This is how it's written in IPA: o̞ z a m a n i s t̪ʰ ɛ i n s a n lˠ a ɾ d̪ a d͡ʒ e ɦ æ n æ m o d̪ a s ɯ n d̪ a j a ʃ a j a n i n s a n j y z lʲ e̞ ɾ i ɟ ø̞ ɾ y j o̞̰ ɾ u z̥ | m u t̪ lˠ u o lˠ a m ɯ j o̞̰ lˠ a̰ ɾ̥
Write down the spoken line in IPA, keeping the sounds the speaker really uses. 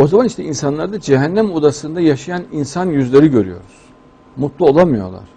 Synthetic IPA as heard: o̞ z a m a n i ʃ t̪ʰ ɛ i n s a n lˠ a ɾ d̪ a d͡ʒ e ɦ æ nː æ m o d̪ a s ɯ n d̪ a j a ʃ a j a n i n s a n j y z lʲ e̞ ɾ i ɟ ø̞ ɾ y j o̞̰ ɾ u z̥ | m u t̪ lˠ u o lˠ a m ɯ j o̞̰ lˠ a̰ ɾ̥